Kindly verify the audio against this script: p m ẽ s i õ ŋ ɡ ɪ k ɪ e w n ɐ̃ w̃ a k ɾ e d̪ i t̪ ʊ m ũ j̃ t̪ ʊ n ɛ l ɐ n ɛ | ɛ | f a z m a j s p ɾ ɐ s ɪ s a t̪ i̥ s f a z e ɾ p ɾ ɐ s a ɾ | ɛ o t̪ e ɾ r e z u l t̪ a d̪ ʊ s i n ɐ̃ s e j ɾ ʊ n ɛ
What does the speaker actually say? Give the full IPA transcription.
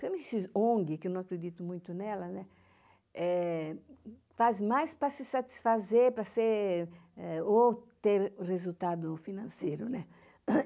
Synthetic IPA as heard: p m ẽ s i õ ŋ ɡ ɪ k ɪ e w n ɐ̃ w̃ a k ɾ e d̪ i t̪ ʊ m ũ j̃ t̪ ʊ n ɛ l ɐ n ɛ | ɛ | f a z m a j s p ɾ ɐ s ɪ s a t̪ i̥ s f a z e ɾ p ɾ ɐ s e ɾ | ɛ o t̪ e ɾ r e z u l t̪ a d̪ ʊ f i n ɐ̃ s e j ɾ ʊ n ɛ